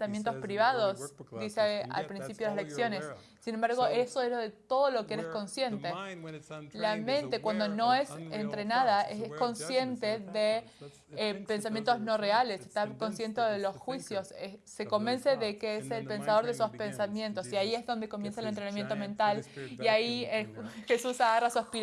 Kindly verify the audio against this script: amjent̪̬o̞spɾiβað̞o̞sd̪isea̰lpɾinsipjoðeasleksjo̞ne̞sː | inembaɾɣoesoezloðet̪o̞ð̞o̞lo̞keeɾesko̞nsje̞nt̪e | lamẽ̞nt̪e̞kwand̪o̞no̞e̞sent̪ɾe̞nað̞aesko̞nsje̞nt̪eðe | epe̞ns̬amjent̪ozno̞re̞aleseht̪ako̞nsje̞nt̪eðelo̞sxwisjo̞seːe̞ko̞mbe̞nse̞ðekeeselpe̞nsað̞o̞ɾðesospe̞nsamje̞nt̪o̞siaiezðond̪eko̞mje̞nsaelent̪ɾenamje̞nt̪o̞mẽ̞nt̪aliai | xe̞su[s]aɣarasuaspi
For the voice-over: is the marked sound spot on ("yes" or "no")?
yes